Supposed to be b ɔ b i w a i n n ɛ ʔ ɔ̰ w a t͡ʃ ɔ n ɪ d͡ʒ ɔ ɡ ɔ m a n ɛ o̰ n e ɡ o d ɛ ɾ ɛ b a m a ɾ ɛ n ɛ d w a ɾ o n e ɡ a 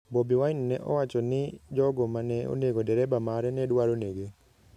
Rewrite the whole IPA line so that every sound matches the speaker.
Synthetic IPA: b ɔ b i w a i n n ɛ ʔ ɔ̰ w a t͡ʃ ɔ n ɪ d͡ʒ ɔ ɡ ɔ m a n ɛ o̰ n e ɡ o d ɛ ɾ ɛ b a m a ɾ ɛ n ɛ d w a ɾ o n e ɡ e